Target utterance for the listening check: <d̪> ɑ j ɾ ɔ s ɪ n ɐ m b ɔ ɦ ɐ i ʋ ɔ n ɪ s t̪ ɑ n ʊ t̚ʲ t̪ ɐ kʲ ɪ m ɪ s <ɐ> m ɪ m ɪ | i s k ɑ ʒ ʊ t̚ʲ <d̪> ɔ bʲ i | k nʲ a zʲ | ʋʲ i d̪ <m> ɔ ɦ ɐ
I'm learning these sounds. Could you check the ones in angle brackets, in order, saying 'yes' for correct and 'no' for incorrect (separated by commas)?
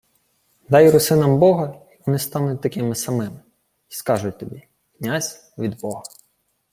yes, yes, no, no